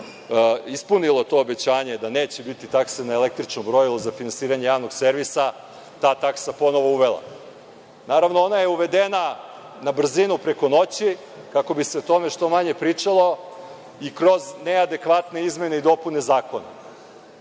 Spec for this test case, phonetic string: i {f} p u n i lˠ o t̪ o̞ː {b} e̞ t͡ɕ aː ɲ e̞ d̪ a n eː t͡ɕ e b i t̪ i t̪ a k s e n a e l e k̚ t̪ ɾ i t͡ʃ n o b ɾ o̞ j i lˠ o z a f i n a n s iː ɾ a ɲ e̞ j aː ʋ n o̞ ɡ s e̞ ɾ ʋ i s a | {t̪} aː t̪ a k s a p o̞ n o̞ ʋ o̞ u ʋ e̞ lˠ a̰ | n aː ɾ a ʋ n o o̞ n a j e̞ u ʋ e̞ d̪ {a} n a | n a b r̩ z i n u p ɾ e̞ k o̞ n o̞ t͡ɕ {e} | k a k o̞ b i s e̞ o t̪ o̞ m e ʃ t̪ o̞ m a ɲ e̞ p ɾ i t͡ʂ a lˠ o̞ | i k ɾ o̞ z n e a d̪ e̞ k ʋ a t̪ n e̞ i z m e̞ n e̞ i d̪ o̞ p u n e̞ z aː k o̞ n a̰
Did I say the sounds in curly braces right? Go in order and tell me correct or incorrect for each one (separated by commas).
incorrect, correct, correct, incorrect, incorrect